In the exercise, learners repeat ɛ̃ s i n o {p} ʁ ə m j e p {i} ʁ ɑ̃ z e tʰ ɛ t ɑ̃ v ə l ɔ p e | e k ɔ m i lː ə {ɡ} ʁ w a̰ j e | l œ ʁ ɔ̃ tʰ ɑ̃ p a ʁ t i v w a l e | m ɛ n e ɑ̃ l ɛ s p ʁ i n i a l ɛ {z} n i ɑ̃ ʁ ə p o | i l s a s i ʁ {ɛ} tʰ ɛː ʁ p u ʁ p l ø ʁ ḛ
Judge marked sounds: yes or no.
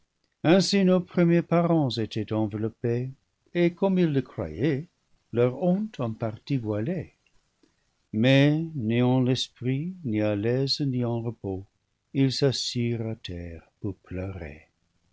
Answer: yes, no, no, yes, no

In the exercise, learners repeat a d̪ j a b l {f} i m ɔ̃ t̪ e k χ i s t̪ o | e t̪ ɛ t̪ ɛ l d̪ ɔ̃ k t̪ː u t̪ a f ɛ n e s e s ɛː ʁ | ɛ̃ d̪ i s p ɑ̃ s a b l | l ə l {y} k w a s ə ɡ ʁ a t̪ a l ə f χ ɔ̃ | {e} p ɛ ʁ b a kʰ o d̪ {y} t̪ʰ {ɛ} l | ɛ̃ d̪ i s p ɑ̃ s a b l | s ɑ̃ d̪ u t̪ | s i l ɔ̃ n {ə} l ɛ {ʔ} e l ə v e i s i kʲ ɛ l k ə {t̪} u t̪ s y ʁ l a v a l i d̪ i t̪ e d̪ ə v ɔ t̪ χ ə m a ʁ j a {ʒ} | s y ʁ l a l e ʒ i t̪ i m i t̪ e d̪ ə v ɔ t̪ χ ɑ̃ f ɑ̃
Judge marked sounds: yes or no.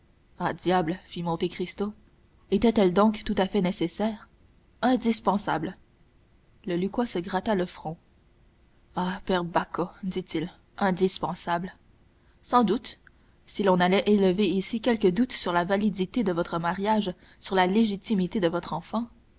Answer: yes, yes, no, no, no, no, yes, no, yes

